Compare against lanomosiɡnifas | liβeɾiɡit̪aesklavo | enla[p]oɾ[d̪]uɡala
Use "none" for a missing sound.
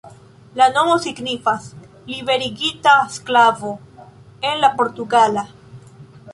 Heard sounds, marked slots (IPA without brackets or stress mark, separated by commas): p, t̪